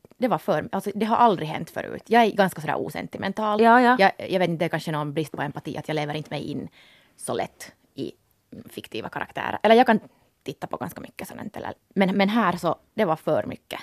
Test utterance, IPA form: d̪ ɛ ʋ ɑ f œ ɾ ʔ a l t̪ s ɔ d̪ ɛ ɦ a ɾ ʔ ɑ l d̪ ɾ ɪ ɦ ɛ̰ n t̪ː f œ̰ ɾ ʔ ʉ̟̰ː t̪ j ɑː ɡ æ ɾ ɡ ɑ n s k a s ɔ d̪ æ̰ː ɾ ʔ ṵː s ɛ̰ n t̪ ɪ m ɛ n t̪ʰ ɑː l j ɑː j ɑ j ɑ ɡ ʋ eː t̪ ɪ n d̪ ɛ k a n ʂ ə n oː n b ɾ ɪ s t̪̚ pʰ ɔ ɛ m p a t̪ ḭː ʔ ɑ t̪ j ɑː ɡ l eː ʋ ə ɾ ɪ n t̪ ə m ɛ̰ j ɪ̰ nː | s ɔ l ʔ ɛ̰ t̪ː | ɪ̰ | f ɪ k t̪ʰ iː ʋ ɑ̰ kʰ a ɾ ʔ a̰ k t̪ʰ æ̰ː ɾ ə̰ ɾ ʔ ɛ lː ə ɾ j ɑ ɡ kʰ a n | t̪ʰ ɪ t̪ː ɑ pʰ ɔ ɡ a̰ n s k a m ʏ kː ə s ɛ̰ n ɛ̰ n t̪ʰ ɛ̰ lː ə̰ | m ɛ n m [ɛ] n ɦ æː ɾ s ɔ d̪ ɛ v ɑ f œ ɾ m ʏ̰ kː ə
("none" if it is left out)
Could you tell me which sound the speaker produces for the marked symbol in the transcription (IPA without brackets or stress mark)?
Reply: ɛ